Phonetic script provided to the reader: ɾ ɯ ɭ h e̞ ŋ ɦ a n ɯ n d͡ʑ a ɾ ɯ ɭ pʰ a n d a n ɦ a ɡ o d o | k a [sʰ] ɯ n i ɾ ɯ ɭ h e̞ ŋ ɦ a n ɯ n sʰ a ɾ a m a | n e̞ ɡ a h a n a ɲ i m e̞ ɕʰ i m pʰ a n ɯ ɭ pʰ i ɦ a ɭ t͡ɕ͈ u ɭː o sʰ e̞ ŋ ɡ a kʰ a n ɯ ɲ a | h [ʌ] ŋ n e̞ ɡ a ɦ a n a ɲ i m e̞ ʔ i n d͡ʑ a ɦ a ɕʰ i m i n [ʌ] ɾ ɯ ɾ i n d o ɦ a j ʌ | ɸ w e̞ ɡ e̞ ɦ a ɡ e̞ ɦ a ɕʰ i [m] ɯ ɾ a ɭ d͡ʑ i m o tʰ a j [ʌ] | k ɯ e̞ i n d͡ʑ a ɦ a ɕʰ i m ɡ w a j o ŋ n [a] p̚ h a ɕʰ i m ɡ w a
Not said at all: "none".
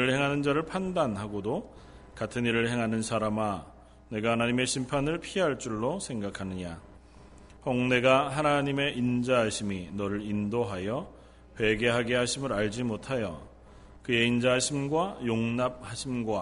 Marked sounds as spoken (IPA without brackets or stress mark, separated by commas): tʰ, ʌ, ʌ, m, ʌ, a